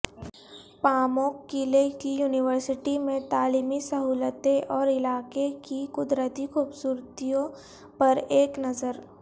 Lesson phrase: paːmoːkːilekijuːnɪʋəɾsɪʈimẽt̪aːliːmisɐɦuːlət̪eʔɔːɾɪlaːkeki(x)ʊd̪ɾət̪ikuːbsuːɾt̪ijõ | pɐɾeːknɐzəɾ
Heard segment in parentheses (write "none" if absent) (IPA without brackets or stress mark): k